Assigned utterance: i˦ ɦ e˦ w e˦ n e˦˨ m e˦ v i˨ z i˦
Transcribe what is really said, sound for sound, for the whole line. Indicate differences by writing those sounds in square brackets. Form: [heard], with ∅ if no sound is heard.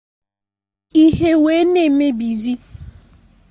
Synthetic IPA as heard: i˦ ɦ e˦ w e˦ n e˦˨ m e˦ [b] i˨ z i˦